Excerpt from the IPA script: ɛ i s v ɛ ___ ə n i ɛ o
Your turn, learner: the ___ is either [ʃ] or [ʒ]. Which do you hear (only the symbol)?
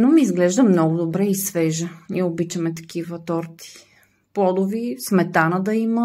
ʒ